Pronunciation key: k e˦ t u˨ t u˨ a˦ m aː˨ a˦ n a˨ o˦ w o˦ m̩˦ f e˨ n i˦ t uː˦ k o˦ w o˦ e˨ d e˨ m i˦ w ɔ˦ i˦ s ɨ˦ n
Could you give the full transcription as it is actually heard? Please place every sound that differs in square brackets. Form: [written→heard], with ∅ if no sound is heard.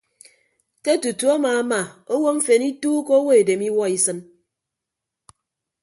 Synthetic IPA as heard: k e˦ t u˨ t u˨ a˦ m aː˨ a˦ [n→m] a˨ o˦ w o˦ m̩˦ f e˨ n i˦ t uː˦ k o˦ w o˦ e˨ d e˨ m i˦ w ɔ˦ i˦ s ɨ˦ n